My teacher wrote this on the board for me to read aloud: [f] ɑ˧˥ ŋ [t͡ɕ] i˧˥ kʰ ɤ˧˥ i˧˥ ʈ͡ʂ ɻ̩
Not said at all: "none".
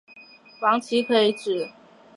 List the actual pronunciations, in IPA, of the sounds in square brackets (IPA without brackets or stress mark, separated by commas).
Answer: f, t͡ɕʰ